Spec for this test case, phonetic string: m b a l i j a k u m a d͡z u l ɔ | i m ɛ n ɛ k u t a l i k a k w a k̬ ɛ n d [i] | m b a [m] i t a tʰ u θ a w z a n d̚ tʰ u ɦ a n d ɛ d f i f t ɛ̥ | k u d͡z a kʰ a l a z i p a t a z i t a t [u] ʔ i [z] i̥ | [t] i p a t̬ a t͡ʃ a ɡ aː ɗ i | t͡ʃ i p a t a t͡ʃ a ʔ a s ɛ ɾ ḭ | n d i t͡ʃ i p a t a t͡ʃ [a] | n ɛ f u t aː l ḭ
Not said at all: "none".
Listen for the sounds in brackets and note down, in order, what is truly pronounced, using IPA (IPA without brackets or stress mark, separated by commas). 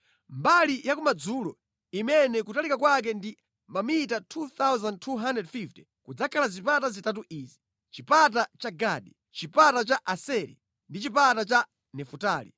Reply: i, m, u, z, t͡ʃ, a